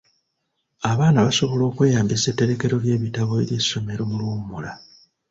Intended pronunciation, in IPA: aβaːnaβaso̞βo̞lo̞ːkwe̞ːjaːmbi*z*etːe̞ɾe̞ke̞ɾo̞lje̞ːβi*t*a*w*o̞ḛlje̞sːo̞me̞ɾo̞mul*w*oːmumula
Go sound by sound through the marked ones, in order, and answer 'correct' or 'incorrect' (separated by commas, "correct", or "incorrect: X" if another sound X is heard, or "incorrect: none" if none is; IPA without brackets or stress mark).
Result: incorrect: s, correct, incorrect: β, correct